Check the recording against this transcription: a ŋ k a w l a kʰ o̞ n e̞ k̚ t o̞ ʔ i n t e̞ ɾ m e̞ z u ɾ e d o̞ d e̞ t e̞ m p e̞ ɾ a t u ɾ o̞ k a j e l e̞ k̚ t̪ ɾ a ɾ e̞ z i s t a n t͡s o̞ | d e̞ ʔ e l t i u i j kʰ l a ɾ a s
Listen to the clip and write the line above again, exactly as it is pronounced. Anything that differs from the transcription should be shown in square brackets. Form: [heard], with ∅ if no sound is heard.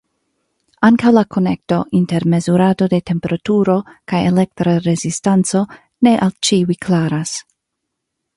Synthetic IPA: a ŋ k a w l a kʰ o̞ n e̞ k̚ t o̞ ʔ i n t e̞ ɾ m e̞ z u ɾ [a] d o̞ d e̞ t e̞ m p e̞ ɾ a t u ɾ o̞ k a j e l e̞ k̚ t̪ ɾ a ɾ e̞ z i s t a n t͡s o̞ | [n] e̞ ʔ [a] l [t͡ʃ] i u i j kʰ l a ɾ a s